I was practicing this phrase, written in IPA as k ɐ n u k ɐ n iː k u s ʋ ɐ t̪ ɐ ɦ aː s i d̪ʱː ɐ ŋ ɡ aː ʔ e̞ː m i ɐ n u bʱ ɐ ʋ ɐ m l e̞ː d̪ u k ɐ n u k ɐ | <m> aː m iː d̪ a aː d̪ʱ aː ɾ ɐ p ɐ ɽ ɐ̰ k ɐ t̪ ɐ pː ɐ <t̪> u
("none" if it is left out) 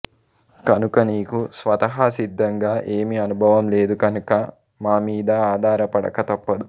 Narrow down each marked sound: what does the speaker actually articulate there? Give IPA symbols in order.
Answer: m, d̪

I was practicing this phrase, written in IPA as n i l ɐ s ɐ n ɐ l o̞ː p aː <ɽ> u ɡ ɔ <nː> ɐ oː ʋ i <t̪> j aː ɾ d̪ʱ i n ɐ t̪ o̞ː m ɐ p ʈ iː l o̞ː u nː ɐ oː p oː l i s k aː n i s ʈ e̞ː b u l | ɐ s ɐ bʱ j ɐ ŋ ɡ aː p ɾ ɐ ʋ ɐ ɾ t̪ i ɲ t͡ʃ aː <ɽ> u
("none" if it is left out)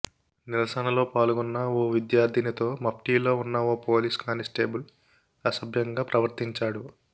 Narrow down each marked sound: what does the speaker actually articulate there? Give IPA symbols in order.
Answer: l, nː, d̪, ɽ

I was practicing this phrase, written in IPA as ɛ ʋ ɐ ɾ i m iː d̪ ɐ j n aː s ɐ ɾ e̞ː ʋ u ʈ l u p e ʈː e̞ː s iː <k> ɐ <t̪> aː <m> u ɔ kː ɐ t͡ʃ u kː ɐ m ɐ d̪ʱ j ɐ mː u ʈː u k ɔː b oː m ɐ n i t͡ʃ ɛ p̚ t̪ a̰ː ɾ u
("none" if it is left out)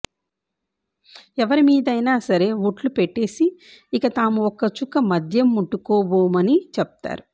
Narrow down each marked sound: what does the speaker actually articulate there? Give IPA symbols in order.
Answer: k, t̪, m

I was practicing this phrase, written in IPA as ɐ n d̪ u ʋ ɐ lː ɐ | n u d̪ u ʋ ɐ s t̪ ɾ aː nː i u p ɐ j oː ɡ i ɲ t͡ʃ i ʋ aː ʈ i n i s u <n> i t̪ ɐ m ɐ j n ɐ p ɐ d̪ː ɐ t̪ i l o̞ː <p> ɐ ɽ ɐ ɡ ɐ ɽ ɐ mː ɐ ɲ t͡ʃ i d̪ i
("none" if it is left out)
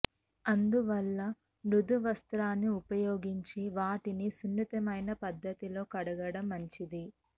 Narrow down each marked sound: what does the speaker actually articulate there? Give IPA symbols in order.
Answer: nː, k

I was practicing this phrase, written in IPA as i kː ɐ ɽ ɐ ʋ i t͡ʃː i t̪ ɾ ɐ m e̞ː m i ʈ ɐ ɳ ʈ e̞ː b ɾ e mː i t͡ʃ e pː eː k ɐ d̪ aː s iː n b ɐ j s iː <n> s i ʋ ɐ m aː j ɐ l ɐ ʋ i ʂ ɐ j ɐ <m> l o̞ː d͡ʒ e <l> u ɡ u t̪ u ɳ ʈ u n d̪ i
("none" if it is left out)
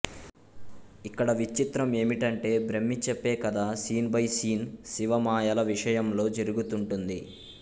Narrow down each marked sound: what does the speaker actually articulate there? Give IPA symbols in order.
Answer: n, m, ɾ

